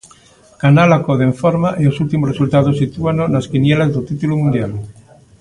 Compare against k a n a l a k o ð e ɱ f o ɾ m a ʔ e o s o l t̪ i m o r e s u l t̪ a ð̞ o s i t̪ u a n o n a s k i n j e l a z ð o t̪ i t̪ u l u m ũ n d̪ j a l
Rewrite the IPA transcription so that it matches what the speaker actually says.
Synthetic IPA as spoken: k a n a l a k o ð e ɱ f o ɾ m a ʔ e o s u l t̪ i m o r e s u l t̪ a ð̞ o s i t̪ u a n o n a s k i n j e l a z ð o t̪ i t̪ u l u m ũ n d̪ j a l